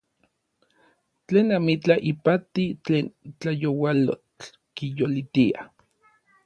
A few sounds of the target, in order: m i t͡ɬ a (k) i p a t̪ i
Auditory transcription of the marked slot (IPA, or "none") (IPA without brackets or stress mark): ʔ